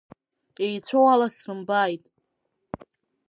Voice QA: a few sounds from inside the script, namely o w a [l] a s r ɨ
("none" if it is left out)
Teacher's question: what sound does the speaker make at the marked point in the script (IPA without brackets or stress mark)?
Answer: l